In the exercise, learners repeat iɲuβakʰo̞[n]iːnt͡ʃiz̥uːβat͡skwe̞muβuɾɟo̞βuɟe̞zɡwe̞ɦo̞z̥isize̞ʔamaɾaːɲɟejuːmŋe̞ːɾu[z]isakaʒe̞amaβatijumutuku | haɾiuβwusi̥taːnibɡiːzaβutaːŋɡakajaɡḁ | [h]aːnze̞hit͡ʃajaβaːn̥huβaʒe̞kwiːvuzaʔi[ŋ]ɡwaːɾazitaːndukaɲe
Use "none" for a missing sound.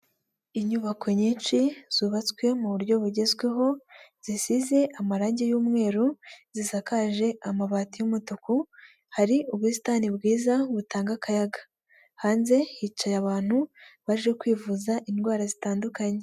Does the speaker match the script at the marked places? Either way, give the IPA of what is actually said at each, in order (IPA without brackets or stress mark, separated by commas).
ɲ, z, h, n